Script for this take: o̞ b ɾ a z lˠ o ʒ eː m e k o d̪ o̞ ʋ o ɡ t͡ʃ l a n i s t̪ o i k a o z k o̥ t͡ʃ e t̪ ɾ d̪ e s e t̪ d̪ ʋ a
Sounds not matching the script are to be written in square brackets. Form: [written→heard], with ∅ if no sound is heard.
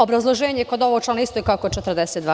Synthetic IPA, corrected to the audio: o̞ b ɾ a z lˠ o ʒ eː [m→ɲ] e k o d̪ o̞ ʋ o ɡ t͡ʃ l a n i s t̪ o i k a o [z→∅] k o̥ t͡ʃ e t̪ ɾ d̪ e s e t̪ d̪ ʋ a